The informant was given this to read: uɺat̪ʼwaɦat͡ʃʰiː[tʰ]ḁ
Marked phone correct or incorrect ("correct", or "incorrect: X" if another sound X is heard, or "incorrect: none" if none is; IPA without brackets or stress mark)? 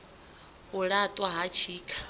incorrect: kʰ